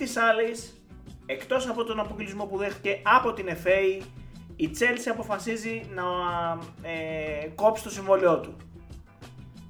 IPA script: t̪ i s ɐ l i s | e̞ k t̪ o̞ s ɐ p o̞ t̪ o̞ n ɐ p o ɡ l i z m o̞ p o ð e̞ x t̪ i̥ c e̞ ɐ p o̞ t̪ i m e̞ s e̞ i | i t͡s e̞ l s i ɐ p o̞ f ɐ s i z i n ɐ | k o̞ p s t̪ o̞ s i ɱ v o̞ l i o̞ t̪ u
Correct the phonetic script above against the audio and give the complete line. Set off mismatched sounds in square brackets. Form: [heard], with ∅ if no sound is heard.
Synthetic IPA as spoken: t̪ i s ɐ l i s | e̞ k t̪ o̞ s ɐ p o̞ t̪ o̞ n ɐ p o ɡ l i z m o̞ p [u] ð e̞ x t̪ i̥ c e̞ ɐ p o̞ t̪ i [n] e̞ [f] e̞ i | i t͡s e̞ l s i ɐ p o̞ f ɐ s i z i n ɐ | k o̞ p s t̪ o̞ s i ɱ v o̞ l i o̞ t̪ u